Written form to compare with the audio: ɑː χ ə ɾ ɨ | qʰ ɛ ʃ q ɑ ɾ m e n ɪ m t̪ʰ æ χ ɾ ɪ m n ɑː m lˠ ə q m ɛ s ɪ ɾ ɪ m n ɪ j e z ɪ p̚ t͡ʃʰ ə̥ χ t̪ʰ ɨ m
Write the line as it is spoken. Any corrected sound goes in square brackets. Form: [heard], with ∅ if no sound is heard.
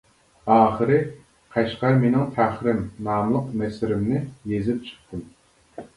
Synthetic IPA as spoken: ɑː χ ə ɾ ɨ | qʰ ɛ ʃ q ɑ ɾ m e n ɪ [ŋ] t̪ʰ æ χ ɾ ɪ m n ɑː m lˠ ə q m ɛ s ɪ ɾ ɪ m n ɪ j e z ɪ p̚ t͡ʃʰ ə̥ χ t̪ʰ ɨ m